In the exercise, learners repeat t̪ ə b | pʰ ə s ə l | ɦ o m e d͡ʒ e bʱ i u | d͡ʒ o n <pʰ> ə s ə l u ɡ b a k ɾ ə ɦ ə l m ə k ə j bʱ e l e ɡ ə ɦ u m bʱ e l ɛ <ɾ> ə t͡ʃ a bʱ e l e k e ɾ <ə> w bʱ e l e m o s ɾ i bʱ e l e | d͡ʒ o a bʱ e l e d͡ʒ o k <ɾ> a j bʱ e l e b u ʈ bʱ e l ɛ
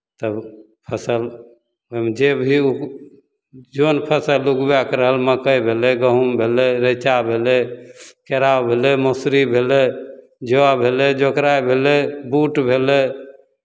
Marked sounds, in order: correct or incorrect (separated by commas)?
correct, correct, incorrect, correct